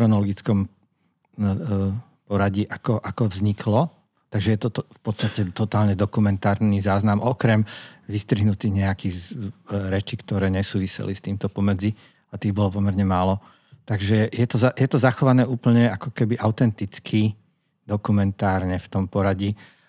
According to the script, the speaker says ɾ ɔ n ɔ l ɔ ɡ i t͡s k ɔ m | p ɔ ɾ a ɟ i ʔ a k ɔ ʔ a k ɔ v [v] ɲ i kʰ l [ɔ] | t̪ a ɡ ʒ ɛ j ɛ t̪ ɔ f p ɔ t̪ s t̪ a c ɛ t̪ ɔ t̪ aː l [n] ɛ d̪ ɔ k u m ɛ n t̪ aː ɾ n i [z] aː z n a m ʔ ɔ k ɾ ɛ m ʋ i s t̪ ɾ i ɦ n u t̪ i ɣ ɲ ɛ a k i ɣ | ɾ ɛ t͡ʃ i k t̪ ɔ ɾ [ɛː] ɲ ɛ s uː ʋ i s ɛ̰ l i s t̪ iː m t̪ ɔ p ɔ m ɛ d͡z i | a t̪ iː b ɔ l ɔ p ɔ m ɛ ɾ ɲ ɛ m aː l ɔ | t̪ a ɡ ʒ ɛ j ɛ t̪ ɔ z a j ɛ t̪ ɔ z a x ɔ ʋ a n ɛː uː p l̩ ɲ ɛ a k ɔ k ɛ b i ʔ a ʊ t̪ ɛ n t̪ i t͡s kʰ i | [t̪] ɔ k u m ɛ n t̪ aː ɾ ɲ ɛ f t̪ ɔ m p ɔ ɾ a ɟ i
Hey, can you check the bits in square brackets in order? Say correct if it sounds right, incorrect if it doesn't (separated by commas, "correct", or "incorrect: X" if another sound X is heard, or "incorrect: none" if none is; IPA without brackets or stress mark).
incorrect: z, correct, incorrect: ɲ, correct, correct, incorrect: d̪